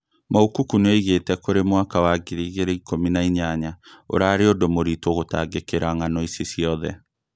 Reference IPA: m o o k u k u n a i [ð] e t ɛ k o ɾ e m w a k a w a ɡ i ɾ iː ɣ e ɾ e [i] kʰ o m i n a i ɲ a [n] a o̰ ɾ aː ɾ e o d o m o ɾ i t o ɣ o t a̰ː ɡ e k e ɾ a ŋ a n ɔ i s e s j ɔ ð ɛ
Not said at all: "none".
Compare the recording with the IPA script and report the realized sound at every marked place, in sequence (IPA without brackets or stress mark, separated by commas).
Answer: ɣ, i, ɲ